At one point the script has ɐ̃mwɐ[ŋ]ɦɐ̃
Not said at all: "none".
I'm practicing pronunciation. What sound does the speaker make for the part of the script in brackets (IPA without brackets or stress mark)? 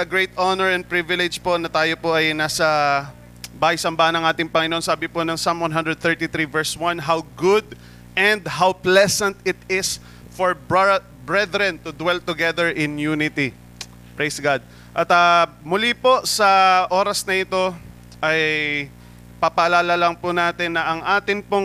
n